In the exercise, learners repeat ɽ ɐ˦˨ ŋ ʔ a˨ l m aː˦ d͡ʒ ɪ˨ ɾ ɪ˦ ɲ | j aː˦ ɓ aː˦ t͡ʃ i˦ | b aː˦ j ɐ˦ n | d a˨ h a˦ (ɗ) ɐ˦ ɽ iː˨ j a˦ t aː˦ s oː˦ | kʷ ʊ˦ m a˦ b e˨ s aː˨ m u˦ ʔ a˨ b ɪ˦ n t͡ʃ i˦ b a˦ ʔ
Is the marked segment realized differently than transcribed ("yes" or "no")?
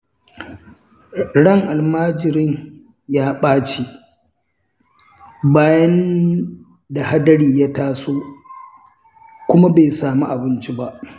yes